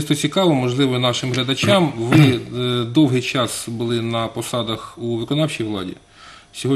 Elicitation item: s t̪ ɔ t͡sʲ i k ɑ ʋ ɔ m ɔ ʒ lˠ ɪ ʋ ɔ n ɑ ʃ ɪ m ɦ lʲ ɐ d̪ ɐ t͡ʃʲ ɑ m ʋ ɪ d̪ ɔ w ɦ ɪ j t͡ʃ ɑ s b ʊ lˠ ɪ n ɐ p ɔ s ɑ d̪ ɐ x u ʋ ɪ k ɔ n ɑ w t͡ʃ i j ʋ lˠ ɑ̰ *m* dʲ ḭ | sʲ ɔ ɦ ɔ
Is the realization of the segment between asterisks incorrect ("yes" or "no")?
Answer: yes